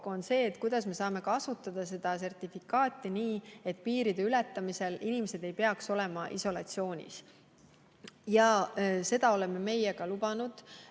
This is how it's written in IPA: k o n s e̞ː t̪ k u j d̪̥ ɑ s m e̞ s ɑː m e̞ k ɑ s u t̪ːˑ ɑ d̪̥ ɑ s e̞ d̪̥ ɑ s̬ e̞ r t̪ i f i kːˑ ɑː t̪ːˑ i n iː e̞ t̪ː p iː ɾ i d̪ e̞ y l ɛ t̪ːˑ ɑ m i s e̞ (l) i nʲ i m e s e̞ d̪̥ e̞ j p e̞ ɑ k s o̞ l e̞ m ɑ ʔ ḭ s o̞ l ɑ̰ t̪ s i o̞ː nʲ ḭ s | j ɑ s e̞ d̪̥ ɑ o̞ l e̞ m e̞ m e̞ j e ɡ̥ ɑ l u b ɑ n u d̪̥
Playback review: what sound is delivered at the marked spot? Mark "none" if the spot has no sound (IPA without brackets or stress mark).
l